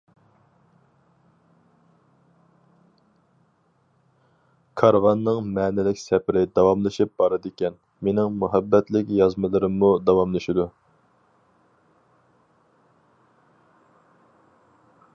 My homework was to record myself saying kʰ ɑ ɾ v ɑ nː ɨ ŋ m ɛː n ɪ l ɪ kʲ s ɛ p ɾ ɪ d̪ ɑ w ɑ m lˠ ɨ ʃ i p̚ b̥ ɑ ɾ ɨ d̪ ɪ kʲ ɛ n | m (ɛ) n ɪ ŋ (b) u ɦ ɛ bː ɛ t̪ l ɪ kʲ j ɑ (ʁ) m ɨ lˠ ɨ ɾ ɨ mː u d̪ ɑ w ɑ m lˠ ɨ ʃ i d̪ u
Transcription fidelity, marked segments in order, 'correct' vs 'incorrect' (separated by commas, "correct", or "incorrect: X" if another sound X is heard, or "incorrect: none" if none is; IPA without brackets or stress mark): incorrect: e, incorrect: m, incorrect: z